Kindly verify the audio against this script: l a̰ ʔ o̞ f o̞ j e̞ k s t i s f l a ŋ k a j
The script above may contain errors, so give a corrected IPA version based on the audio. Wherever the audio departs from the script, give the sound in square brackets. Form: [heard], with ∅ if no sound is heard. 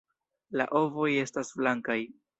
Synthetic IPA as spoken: l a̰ ʔ o̞ [v] o̞ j e̞ [∅] s t [a] s f l a ŋ k a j